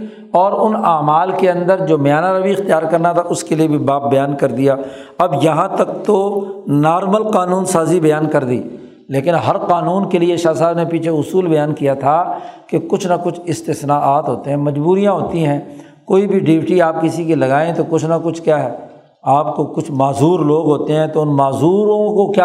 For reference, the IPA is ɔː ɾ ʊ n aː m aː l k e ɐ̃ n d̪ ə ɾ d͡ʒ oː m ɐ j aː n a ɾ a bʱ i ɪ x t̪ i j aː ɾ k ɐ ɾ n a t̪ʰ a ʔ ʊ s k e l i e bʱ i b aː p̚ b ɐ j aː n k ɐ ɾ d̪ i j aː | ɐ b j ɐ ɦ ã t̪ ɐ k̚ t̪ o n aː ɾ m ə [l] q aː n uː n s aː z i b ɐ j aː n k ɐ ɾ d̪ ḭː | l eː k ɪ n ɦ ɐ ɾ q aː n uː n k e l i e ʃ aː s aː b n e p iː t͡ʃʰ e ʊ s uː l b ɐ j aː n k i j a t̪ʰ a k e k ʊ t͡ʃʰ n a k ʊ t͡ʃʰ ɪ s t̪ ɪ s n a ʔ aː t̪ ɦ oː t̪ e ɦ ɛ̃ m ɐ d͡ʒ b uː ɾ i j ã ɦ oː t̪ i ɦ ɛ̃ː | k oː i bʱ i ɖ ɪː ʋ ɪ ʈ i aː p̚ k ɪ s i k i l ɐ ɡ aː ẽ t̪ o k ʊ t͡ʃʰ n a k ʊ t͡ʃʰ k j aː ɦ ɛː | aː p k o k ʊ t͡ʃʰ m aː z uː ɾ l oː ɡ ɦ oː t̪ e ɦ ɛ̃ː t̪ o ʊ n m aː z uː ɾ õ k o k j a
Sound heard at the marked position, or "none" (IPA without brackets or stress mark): l